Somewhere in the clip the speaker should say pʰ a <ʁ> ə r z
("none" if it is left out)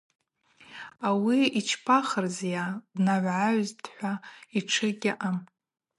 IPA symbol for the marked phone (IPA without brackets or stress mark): χ